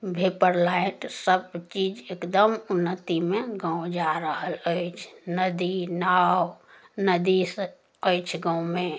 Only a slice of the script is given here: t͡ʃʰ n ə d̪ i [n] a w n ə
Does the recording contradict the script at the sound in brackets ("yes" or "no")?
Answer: no